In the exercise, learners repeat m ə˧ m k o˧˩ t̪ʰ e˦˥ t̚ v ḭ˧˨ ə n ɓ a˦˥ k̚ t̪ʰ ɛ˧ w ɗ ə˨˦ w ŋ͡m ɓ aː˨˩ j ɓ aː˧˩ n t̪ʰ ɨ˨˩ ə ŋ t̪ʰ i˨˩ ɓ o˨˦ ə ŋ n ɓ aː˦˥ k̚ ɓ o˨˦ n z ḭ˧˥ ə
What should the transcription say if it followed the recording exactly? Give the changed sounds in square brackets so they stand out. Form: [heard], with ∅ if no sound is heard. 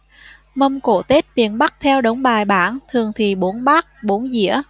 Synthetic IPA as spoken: m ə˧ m k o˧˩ [t̪] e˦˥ t̚ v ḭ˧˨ ə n ɓ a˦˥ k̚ t̪ʰ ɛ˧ w ɗ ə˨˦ w ŋ͡m ɓ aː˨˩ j ɓ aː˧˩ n t̪ʰ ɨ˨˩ ə ŋ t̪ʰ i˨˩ ɓ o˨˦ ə [∅] n ɓ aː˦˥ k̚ ɓ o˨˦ n z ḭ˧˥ ə